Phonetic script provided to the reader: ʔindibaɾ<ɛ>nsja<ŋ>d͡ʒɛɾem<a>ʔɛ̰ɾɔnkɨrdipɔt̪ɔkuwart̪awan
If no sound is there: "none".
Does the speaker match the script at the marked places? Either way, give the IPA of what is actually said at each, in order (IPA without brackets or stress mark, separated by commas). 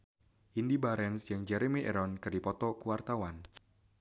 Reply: ɛ, ŋ, i